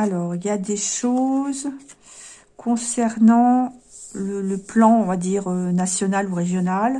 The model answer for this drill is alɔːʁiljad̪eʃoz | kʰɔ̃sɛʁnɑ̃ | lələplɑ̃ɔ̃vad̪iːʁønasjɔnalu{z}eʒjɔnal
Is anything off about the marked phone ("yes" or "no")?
yes